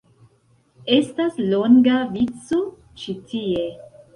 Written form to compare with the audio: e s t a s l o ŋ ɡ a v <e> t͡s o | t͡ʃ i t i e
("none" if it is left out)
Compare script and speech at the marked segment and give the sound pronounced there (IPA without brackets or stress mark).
i